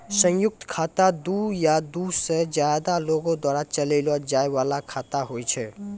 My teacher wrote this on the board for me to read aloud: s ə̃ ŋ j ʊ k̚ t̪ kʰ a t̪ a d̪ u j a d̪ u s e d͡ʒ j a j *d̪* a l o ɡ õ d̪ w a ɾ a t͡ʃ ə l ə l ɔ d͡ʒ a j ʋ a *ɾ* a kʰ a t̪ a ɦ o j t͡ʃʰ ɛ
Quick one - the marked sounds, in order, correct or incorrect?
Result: correct, incorrect: l

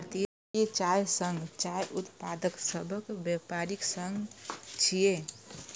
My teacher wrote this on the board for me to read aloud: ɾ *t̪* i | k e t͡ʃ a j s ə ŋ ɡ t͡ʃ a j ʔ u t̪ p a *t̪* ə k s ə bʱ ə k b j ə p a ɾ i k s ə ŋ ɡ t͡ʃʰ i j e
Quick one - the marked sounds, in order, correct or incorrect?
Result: correct, incorrect: d̪

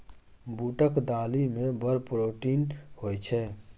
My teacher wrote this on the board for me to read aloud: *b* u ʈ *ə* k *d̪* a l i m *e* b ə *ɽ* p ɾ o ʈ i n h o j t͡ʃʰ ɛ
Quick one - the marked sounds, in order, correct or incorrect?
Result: correct, correct, correct, correct, incorrect: ɾ

